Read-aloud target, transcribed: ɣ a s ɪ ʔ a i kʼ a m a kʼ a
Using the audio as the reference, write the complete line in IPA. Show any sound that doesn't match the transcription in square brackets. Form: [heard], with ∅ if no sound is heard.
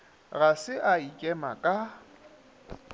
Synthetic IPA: ɣ a s ɪ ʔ a i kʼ [ɛ] m a kʼ a